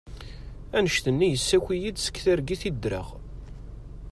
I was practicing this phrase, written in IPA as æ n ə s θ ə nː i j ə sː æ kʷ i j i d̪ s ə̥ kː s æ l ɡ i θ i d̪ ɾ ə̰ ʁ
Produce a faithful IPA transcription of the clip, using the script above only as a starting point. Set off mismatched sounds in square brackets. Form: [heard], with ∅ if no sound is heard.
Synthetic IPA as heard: æ n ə [ʃ] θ ə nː i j ə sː æ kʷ i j i d̪ s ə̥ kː [θ] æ [ɾ] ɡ i θ i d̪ ɾ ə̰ ʁ

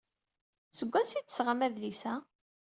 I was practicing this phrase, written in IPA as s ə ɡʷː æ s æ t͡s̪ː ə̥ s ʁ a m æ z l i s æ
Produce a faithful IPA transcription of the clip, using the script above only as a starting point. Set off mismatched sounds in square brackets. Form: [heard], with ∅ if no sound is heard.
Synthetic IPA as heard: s ə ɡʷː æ s [i] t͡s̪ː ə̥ s ʁ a m æ [ð] l i s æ

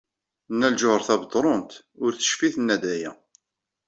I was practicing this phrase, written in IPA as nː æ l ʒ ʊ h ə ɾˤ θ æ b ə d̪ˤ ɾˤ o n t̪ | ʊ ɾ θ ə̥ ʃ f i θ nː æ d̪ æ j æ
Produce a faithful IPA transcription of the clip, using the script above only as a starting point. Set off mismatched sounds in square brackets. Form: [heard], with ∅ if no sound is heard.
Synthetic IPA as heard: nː æ l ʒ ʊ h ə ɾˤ θ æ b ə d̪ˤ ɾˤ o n t̪ | ʊ ɾ θ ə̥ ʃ f i θ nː æ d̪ æ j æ

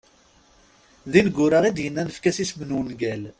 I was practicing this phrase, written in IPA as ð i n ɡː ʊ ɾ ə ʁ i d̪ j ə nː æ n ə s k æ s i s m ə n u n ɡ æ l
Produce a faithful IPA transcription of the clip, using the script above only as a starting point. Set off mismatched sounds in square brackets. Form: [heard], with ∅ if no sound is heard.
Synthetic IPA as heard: ð i n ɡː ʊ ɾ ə ʁ i d̪ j ə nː æ n ə [f] k æ s i s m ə n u n ɡ æ l

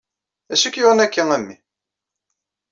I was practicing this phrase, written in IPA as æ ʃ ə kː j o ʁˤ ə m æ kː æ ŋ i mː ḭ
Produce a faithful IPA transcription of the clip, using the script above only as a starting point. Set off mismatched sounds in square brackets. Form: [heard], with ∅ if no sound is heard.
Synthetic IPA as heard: æ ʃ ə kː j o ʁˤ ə [n] æ kː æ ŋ [æ] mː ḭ

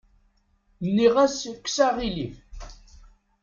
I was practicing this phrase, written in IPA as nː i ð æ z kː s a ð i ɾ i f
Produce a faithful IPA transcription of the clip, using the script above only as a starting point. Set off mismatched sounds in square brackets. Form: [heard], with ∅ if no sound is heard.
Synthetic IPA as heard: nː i [ʁ] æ [s] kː s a [ʁ] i [l] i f

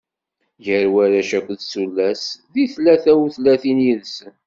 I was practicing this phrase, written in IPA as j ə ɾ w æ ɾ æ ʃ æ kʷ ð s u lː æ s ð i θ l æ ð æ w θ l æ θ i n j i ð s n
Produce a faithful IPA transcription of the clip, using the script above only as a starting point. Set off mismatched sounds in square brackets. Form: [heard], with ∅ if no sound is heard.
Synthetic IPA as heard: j ə ɾ w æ ɾ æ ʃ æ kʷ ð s u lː æ s ð i θ l æ [θ] æ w θ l æ θ i n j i ð s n

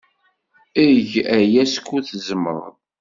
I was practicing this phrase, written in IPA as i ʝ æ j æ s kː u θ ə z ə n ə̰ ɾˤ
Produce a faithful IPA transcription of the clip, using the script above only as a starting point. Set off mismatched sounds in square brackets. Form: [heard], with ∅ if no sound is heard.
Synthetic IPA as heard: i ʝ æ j æ s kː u θ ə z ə [m] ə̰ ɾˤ

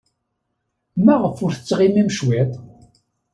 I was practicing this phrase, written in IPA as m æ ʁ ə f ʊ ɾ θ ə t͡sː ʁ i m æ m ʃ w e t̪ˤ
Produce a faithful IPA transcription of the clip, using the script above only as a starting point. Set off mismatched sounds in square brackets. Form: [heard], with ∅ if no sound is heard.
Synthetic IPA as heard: m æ ʁ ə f ʊ ɾ θ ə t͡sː ʁ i m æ m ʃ w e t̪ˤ

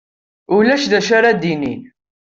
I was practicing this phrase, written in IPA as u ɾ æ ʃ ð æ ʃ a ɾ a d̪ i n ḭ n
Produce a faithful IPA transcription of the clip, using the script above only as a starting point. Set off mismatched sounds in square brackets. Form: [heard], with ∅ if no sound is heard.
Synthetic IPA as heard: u [l] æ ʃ ð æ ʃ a ɾ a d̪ i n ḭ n

